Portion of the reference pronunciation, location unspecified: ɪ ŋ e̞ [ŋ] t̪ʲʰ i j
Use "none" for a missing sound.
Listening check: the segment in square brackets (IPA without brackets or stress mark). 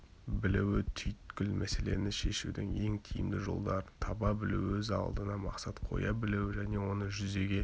ŋ